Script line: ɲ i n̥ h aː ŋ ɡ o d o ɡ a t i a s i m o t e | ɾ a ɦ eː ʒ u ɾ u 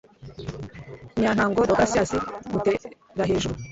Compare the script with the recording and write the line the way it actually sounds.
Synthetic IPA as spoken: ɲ a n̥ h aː ŋ ɡ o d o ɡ a s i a s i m u t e | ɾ a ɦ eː ʒ u ɾ u